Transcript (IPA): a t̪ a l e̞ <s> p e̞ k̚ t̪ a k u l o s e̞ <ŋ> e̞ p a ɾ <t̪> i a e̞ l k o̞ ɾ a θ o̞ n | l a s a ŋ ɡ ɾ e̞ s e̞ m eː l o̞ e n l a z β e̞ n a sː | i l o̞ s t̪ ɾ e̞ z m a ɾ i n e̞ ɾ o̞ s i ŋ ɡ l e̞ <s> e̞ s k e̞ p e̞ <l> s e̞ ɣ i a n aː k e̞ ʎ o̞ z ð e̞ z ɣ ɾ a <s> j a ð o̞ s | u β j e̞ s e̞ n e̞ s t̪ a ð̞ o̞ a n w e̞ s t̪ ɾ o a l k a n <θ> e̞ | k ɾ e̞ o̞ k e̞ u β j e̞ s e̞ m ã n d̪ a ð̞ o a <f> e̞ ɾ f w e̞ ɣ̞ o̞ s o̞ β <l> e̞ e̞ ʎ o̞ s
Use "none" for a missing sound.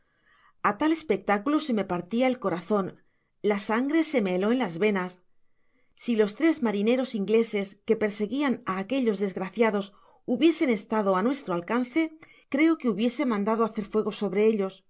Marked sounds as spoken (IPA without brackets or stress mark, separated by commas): s, m, t̪, s, ɾ, θ, θ, θ, ɾ